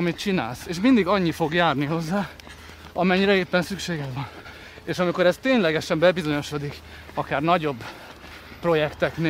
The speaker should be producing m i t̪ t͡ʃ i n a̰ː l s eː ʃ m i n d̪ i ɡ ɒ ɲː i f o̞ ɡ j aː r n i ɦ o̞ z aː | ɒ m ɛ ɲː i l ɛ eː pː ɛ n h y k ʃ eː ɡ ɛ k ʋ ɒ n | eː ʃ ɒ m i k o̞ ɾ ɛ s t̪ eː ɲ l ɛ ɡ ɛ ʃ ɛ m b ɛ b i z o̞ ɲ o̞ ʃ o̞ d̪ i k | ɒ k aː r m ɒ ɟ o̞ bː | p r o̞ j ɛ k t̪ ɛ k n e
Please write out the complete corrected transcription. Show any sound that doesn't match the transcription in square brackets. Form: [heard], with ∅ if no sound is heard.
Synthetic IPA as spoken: m i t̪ t͡ʃ i n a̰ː l s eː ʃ m i n d̪ i ɡ ɒ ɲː i f o̞ ɡ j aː r n i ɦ o̞ [zː] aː | ɒ m ɛ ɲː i [ɾ] ɛ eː pː ɛ n [s] y k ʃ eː ɡ ɛ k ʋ ɒ n | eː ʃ ɒ m i k o̞ ɾ ɛ s t̪ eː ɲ l ɛ ɡ ɛ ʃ ɛ m b ɛ b i z o̞ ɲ o̞ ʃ o̞ d̪ i k | ɒ k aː r [n] ɒ ɟ o̞ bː | p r o̞ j ɛ k t̪ ɛ k n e